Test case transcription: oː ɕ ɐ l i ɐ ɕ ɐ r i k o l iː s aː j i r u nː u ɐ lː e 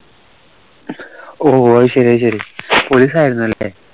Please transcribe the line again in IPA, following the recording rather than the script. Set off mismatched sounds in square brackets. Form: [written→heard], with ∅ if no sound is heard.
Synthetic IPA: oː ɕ ɐ [l→ɾ] i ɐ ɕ ɐ [r→ɾ] i [k→p] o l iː s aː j i [r→ɾ] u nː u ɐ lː e

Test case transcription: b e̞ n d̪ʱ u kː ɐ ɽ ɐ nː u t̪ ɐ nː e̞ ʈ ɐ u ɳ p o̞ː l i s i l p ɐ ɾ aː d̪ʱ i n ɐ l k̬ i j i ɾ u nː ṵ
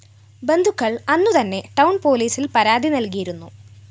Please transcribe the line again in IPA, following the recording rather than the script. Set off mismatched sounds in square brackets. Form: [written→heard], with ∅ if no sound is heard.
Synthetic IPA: b e̞ n d̪ʱ u kː ɐ [ɽ→ɭ] ɐ nː u t̪ ɐ nː e̞ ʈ ɐ [u→w] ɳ p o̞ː l [i→iː] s i l p ɐ ɾ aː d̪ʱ i n ɐ l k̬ i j i ɾ u nː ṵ

